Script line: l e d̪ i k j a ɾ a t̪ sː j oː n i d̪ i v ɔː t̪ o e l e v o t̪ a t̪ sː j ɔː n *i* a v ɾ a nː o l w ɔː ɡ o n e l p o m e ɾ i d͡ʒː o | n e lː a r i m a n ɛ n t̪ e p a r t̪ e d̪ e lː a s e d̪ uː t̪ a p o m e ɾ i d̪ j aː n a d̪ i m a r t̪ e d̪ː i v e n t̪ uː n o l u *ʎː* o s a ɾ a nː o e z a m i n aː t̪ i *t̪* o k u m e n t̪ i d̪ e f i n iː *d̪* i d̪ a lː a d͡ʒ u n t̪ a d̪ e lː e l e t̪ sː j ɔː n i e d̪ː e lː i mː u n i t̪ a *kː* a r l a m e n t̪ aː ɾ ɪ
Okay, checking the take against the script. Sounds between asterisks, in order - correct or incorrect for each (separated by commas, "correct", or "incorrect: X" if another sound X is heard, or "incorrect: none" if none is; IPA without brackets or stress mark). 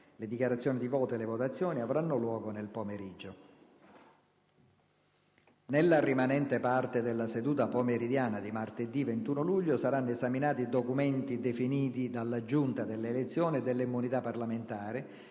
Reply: correct, correct, incorrect: d̪, incorrect: t̪, incorrect: pː